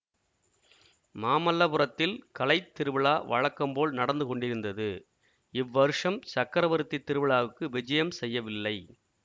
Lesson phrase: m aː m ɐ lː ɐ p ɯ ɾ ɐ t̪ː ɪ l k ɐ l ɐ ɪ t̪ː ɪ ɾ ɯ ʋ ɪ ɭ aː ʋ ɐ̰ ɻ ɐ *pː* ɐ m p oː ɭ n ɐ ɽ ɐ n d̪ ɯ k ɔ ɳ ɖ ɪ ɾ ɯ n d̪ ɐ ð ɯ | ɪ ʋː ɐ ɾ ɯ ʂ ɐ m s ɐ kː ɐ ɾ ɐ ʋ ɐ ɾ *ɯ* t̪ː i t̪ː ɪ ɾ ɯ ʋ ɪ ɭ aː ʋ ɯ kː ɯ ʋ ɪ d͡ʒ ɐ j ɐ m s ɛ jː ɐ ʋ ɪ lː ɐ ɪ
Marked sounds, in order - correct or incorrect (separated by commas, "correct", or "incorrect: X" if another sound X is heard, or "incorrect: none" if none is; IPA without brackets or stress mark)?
incorrect: kː, correct